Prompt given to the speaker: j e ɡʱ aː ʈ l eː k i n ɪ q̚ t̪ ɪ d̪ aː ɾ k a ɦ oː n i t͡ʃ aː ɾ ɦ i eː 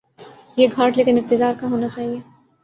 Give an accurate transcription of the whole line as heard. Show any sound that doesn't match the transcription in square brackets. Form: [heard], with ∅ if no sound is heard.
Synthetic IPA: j e ɡʱ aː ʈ l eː k [ɪ] n ɪ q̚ t̪ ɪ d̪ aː ɾ k a ɦ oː n [a] t͡ʃ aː [∅] ɦ i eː